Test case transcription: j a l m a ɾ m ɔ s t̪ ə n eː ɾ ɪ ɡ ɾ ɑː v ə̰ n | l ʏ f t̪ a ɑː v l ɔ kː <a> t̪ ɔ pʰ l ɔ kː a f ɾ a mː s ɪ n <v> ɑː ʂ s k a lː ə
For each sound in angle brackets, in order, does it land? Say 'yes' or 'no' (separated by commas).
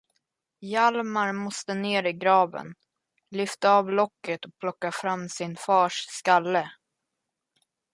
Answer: no, no